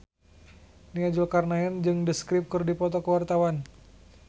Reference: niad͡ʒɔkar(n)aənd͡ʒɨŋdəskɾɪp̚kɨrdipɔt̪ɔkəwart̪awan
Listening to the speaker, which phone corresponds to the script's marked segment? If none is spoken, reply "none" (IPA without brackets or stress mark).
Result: n